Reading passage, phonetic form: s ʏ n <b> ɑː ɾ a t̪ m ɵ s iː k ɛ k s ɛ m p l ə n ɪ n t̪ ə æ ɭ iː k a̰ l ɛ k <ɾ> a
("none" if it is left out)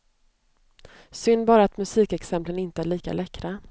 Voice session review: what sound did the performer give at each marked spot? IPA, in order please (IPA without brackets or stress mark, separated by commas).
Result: b, ɾ